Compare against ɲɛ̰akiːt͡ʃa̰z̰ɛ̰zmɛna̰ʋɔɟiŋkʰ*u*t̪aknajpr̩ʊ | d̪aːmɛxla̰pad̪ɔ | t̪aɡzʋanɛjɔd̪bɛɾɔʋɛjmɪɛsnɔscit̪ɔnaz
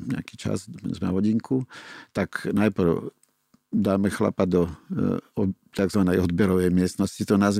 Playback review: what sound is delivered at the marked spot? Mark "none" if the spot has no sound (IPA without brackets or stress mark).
u